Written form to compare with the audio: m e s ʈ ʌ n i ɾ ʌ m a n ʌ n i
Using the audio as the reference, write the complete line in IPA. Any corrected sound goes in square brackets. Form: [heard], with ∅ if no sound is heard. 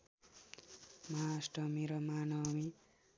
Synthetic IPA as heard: m [a] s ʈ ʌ [m] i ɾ ʌ m a n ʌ [m] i